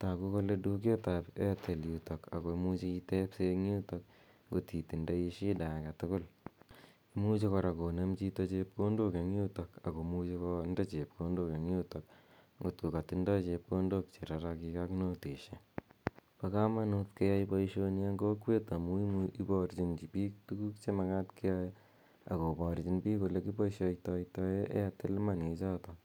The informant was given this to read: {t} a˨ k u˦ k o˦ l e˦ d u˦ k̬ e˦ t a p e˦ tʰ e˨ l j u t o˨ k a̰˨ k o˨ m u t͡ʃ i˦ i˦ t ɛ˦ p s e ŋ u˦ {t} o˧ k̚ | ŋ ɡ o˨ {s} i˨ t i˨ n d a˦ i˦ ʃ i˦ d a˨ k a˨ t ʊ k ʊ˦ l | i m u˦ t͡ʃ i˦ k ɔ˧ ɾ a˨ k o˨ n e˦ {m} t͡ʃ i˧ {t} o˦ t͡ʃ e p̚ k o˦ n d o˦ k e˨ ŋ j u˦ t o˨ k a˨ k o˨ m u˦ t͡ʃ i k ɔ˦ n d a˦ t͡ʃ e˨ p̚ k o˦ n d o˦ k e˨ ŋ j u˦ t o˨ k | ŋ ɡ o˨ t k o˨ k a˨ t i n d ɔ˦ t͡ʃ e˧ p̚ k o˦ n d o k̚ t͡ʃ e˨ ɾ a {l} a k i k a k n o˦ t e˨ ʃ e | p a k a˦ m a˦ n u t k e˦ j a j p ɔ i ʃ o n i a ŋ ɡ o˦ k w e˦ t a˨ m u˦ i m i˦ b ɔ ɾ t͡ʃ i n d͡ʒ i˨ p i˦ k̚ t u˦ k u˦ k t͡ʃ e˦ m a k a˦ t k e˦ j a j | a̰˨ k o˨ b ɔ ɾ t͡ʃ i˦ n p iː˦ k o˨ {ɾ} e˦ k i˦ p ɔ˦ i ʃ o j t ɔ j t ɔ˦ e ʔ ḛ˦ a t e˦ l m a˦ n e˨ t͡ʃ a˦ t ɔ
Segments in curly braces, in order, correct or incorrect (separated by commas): correct, correct, incorrect, correct, correct, incorrect, incorrect